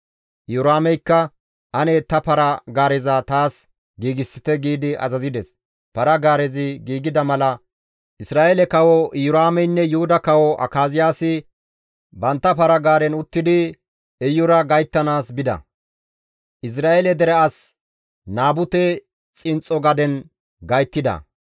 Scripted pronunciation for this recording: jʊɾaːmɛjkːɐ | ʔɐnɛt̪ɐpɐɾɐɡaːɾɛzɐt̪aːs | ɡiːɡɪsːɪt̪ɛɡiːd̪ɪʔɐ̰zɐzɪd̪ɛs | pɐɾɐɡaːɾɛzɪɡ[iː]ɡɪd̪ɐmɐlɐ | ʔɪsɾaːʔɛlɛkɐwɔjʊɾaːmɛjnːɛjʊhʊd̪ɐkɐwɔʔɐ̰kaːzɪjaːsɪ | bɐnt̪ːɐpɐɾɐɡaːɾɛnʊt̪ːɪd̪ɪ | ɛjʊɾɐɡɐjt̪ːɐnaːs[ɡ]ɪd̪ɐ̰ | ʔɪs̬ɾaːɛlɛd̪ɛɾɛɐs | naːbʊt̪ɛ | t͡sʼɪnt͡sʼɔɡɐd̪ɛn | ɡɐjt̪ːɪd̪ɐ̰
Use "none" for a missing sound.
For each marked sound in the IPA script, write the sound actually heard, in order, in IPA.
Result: iː, b

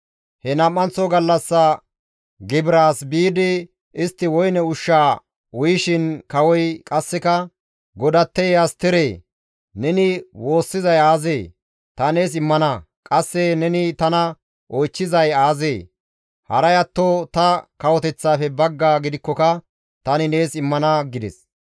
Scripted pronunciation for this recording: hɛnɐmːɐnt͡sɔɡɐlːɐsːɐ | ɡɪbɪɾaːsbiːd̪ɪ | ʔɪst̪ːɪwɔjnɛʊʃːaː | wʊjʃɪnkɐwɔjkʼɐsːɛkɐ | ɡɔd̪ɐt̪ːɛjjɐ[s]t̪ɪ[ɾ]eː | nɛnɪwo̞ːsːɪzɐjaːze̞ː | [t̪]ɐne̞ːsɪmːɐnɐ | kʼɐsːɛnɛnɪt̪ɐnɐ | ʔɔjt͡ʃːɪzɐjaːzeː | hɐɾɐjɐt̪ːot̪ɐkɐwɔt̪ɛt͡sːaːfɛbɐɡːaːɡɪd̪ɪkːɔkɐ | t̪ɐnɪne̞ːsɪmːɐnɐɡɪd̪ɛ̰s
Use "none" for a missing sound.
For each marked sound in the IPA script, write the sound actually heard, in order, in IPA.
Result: s, ɾ, t̪

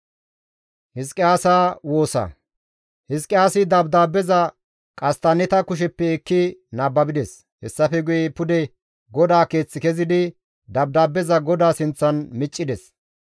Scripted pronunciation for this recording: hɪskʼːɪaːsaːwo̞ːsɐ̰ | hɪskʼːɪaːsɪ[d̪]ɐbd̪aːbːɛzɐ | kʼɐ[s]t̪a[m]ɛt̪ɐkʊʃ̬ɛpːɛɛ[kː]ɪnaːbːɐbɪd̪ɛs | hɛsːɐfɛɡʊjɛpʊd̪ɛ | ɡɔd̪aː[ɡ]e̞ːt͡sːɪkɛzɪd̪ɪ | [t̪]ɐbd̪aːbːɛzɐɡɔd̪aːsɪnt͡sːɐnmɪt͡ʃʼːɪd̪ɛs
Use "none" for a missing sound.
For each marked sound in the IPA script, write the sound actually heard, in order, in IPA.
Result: d̪, s, n, kː, k, d̪

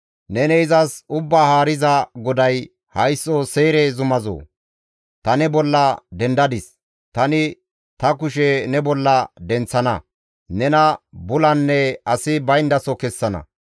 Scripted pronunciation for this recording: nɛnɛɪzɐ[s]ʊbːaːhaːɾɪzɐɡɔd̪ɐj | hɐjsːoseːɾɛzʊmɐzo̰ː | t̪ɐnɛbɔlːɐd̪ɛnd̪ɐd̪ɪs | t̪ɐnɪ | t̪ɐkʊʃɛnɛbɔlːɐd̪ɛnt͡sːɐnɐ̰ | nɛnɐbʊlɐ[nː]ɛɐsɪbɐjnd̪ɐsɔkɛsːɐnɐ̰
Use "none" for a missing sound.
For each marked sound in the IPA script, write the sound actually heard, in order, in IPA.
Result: s, nː

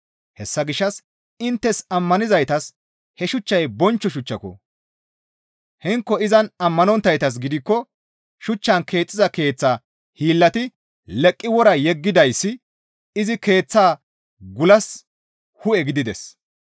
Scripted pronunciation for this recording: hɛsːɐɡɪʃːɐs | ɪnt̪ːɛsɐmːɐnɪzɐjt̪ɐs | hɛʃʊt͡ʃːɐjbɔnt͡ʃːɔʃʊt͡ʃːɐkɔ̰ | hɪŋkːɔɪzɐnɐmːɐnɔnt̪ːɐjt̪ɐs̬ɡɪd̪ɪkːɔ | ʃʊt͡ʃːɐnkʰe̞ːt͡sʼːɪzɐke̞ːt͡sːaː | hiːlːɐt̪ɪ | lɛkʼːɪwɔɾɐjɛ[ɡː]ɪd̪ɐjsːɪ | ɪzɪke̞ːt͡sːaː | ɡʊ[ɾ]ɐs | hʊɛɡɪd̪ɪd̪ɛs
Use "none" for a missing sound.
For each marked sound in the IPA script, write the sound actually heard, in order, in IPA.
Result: ɡː, l

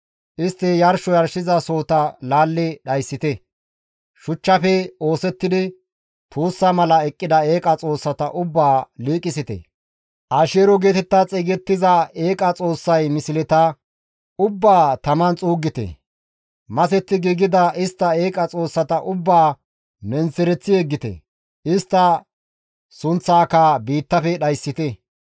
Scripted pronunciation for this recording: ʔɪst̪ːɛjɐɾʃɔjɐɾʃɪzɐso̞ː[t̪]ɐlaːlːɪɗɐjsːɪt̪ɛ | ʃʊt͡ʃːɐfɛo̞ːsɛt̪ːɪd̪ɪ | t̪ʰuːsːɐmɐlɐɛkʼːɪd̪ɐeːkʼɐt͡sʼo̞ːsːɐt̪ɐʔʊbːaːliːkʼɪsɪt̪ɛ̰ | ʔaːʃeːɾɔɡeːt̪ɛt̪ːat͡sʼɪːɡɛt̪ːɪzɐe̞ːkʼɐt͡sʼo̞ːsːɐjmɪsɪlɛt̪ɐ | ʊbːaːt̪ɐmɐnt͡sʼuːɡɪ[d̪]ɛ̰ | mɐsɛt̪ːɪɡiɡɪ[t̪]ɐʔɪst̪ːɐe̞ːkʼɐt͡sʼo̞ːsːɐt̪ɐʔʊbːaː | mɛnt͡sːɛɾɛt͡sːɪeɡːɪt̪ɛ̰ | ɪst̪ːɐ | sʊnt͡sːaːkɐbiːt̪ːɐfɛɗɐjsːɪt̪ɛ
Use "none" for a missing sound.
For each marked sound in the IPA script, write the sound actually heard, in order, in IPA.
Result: t̪, t̪, d̪

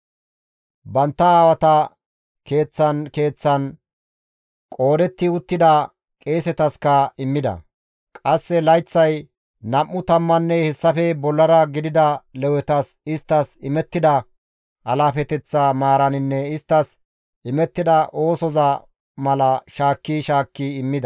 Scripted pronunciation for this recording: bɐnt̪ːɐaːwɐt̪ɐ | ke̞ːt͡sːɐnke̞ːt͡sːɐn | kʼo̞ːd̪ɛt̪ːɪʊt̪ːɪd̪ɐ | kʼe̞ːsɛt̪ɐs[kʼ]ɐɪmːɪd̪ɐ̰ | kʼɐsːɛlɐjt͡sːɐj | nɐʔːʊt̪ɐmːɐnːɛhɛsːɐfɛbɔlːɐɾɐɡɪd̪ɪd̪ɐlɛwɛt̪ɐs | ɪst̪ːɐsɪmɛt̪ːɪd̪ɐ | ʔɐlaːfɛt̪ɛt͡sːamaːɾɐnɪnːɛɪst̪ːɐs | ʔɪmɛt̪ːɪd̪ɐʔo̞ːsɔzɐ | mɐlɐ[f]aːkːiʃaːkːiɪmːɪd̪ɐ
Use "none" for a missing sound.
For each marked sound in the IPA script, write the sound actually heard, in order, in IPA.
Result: k, ʃ

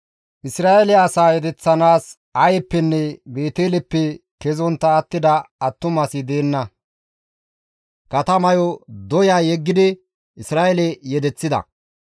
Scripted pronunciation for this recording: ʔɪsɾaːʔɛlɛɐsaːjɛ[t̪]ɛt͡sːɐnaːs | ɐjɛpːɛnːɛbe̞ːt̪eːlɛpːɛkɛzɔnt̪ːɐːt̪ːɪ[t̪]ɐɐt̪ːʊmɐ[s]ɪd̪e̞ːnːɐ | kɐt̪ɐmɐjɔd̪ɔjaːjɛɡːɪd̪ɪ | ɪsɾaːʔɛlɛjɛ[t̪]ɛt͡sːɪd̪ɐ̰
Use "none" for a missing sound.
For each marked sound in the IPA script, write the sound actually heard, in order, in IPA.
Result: d̪, d̪, s, d̪

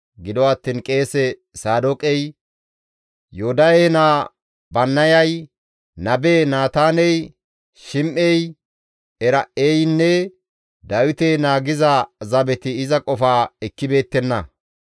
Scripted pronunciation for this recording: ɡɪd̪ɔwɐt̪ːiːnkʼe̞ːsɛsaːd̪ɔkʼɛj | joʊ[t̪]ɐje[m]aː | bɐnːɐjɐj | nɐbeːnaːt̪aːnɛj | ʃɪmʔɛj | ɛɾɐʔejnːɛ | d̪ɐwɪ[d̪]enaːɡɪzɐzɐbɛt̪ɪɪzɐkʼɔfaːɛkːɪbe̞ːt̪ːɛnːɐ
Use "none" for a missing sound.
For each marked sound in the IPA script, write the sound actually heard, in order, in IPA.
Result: d̪, n, t̪

